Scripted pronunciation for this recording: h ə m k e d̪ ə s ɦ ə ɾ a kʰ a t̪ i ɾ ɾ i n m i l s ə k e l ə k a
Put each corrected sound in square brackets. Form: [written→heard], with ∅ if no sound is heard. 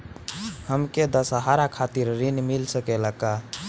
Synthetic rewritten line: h ə m k e d̪ ə s ɦ [ə→a] ɾ a kʰ a t̪ i ɾ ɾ i n m i l s ə k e l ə k a